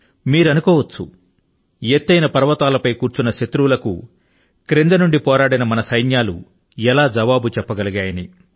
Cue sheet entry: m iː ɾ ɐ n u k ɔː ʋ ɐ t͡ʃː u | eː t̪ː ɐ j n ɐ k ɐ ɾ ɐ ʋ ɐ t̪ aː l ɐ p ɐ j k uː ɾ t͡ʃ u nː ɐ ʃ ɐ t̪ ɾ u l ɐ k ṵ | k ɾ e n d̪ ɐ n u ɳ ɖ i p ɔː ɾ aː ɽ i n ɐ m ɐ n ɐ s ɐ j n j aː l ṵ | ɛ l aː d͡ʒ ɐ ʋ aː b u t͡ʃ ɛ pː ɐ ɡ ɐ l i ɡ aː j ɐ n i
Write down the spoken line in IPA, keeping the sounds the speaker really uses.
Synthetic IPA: m iː ɾ ɐ n u k ɔː ʋ ɐ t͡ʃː u | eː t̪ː ɐ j n ɐ p ɐ ɾ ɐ ʋ ɐ t̪ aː l ɐ p ɐ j k uː ɾ t͡ʃ u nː ɐ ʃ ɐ t̪ ɾ u l ɐ k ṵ | k ɾ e n d̪ ɐ n u ɳ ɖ i p ɔː ɾ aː ɽ i n ɐ m ɐ n ɐ s ɐ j n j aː l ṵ | ɛ l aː d͡ʒ ɐ ʋ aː b u t͡ʃ ɛ pː ɐ ɡ ɐ l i ɡ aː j ɐ n i

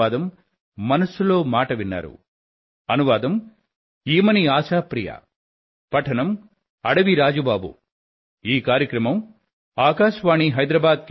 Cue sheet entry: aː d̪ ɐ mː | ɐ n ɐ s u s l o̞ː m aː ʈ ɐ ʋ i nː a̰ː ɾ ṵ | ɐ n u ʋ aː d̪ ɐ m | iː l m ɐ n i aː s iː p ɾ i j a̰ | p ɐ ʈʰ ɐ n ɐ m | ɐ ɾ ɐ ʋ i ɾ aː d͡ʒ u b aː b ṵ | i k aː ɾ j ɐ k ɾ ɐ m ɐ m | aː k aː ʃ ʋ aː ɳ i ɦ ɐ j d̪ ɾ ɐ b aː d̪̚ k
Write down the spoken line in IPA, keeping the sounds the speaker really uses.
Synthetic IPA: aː d̪ ɐ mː | ɐ n ɐ s u l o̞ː m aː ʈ ɐ ʋ i nː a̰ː ɾ ṵ | ɐ n u ʋ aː d̪ ɐ m | iː m ɐ n i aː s aː p ɾ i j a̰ | p ɐ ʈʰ ɐ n ɐ m | ɐ ɽ ɐ ʋ i ɾ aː d͡ʒ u b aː b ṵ | iː k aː ɾ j ɐ k ɾ ɐ m ɐ m | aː k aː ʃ ʋ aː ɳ i ɦ ɐ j d̪ ɾ ɐ b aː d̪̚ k

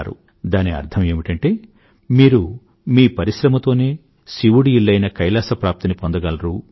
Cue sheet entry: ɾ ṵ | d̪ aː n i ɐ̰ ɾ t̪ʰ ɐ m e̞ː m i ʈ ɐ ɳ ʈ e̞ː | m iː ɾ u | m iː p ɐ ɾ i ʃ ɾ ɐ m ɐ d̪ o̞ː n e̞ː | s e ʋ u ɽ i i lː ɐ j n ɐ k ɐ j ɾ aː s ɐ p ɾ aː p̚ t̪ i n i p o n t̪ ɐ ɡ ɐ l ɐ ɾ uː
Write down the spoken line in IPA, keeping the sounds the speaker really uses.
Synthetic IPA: ɾ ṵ | d̪ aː n i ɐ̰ ɾ t̪ʰ ɐ m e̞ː m i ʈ ɐ ɳ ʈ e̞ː | m iː ɾ u | m iː p ɐ ɾ i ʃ ɾ ɐ m ɐ t̪ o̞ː n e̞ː | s i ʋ u ɽ i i lː ɐ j n ɐ k ɐ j l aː s ɐ p ɾ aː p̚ t̪ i n i p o n d̪ ɐ ɡ ɐ l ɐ ɾ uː

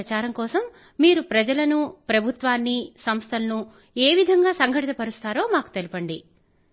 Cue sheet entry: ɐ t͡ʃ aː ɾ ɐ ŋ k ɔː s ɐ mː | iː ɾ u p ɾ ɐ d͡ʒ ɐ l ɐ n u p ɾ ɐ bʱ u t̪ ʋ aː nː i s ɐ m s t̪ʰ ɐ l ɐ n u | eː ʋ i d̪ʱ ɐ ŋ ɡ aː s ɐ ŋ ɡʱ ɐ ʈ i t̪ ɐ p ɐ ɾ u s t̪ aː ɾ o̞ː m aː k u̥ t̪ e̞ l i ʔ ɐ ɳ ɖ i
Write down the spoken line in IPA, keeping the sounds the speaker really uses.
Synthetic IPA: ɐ t͡ʃ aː ɾ ɐ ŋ k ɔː s ɐ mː | iː ɾ u p ɾ ɐ d͡ʒ ɐ l ɐ n u p ɾ ɐ bʱ u t̪ ʋ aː nː i s ɐ m s t̪ʰ ɐ l ɐ n u | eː ʋ i d̪ʱ ɐ ŋ ɡ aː s ɐ ŋ ɡʱ ɐ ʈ i t̪ ɐ p ɐ ɾ u s t̪ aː ɾ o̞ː m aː k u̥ t̪ e̞ l i p ɐ ɳ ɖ i

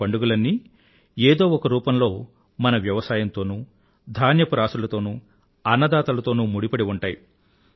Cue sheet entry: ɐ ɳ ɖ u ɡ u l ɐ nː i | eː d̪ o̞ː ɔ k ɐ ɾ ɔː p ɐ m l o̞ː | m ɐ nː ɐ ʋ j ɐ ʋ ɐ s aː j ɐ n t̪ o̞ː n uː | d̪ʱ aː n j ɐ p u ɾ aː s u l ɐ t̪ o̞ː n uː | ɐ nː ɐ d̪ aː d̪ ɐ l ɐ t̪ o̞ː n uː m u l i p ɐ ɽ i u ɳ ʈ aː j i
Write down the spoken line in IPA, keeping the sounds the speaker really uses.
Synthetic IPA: ɐ ɳ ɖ u ɡ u l ɐ nː i | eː d̪ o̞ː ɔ k ɐ ɾ uː p ɐ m l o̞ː | m ɐ n ɐ ʋ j ɐ ʋ ɐ s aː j ɐ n t̪ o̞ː n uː | d̪ʱ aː n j ɐ p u ɾ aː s u l ɐ t̪ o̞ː n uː | ɐ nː ɐ d̪ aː t̪ ɐ l ɐ t̪ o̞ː n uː m u ɽ i p ɐ ɽ i u ɳ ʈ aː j i

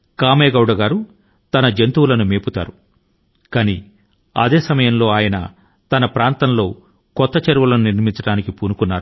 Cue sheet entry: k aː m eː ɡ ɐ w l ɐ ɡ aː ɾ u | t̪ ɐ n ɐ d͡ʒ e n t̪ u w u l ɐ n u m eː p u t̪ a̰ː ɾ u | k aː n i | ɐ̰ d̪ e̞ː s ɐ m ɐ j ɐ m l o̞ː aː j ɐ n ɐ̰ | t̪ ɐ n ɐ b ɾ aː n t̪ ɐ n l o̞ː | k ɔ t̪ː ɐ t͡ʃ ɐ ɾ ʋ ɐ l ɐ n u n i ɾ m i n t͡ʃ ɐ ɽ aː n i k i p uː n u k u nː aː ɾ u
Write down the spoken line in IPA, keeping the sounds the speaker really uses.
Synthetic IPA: k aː m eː ɡ ɐ w ɽ ɐ ɡ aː ɾ u | t̪ ɐ n ɐ d͡ʒ e n t̪ u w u l ɐ n u m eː p u t̪ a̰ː ɾ u | k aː n i | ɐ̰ d̪ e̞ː s ɐ m ɐ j ɐ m l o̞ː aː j ɐ n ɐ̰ | t̪ ɐ n ɐ p ɾ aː n t̪ ɐ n l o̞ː | k ɔ t̪ː ɐ t͡ʃ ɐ ɾ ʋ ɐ l ɐ n u n i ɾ m i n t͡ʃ ɐ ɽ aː n i k i p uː n u k u nː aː ɾ u

